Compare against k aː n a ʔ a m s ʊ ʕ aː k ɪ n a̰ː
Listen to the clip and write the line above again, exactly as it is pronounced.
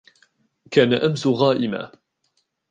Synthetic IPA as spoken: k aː n a ʔ a m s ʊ ɣ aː ʔ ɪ m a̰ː